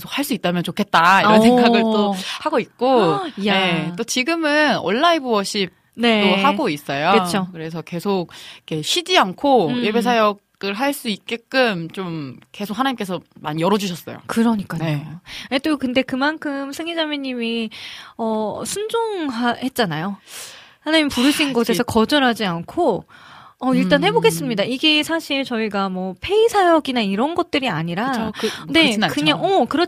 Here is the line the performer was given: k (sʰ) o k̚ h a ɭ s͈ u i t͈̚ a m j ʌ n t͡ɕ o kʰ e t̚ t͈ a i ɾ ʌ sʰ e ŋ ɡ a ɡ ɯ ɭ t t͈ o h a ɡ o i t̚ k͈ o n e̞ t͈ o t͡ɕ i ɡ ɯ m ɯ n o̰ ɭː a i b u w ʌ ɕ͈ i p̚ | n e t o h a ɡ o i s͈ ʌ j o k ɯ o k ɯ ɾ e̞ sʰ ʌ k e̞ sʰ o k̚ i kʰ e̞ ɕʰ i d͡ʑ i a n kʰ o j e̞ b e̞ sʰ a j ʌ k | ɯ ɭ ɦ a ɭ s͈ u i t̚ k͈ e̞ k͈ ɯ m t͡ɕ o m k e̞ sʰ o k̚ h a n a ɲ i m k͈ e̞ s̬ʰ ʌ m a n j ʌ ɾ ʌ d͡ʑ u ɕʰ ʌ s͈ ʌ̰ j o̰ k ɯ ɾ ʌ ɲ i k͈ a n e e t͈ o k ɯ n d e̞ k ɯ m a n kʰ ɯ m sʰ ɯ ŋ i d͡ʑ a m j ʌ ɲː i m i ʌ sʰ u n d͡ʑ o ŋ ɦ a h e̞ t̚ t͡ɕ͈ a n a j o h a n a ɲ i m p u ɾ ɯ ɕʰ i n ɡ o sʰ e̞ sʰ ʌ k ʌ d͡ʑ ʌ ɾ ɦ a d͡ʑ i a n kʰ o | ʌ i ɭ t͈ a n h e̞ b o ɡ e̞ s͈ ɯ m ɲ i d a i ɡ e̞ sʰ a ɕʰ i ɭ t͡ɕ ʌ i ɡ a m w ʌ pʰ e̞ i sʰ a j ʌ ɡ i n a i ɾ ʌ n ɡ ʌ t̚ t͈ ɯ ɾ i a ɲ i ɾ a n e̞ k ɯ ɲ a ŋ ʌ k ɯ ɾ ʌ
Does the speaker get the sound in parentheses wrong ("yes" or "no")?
no